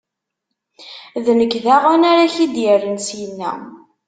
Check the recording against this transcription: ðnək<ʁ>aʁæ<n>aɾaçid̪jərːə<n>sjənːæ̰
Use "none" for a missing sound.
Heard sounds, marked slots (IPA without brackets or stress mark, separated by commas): ð, n, n